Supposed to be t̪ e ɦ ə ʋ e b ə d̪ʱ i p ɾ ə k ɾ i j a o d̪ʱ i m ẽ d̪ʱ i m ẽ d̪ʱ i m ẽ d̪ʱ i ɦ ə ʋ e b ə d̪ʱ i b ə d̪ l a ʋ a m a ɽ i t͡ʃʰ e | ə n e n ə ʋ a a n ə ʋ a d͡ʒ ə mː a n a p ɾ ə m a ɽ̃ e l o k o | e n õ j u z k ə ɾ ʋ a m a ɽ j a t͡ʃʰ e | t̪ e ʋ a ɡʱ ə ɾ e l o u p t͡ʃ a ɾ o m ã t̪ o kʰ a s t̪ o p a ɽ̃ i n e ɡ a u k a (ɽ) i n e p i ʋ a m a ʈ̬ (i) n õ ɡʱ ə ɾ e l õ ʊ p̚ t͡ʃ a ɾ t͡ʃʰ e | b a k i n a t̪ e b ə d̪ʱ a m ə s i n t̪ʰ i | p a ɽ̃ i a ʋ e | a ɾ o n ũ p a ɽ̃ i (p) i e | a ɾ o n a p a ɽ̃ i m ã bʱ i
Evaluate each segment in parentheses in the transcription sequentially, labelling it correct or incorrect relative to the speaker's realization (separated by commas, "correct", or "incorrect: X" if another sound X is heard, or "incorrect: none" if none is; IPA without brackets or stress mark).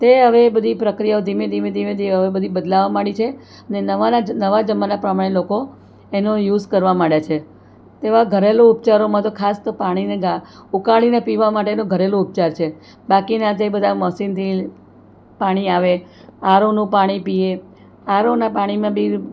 incorrect: ɭ, incorrect: e, correct